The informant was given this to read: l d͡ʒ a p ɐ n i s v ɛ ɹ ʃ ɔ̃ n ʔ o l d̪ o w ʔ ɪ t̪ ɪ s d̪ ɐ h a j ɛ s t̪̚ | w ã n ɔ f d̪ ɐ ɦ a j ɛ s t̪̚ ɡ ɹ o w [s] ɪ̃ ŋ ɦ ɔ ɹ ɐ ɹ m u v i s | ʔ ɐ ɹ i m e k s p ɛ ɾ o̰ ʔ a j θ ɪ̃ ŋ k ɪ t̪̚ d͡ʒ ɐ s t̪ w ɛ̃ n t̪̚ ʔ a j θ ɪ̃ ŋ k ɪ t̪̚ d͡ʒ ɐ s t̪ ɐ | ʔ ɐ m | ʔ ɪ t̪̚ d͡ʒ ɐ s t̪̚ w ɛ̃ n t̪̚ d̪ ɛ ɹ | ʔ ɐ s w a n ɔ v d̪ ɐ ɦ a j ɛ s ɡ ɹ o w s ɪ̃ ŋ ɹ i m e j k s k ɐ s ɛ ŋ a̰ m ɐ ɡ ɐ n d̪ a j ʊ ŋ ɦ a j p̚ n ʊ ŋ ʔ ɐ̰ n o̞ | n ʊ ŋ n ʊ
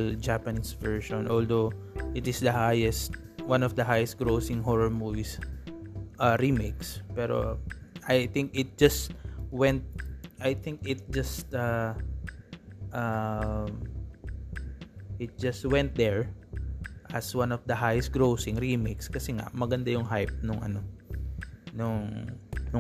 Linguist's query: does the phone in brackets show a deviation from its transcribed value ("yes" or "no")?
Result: no